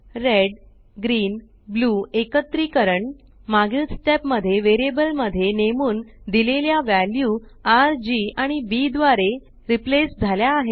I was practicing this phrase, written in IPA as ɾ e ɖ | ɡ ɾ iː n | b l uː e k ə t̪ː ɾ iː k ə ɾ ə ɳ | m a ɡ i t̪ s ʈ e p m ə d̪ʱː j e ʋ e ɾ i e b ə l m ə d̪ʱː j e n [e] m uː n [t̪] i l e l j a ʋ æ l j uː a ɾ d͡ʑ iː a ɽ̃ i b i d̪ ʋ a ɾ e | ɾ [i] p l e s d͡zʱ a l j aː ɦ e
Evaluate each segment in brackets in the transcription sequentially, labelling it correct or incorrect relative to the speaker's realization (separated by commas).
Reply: correct, incorrect, correct